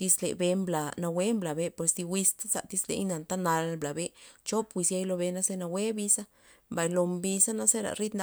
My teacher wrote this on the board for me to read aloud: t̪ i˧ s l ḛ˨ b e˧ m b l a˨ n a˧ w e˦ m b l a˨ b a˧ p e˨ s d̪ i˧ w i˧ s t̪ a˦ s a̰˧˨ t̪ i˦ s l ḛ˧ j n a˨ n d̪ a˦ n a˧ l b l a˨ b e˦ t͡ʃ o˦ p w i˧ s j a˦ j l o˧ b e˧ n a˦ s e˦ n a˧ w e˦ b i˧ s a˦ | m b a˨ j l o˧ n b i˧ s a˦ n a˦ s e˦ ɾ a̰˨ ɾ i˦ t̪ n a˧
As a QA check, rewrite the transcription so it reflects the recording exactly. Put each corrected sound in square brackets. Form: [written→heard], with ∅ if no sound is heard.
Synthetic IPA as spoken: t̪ i˧ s l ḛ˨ b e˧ m b l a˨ n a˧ w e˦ m b l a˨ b [a˧→e˧] p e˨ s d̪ i˧ w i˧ s t̪ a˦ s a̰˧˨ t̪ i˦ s l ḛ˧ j n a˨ n [d̪→t̪] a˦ n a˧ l b l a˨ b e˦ t͡ʃ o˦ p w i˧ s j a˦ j l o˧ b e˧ n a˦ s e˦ n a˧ w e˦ b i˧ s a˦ | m b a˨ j l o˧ [n→m] b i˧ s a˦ n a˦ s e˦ ɾ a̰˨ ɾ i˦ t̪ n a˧